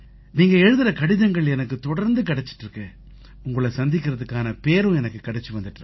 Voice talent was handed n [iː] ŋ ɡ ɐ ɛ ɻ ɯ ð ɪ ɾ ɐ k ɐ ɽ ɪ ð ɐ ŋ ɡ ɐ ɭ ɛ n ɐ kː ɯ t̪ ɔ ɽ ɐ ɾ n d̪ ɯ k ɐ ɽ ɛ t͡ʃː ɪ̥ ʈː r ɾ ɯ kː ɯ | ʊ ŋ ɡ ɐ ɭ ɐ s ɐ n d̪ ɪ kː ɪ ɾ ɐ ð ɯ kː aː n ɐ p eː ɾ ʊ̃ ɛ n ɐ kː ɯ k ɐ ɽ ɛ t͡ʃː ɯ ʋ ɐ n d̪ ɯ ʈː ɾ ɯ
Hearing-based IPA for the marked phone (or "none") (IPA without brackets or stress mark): iː